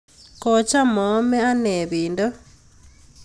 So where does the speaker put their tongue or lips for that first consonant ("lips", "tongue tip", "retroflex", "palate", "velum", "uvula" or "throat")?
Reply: velum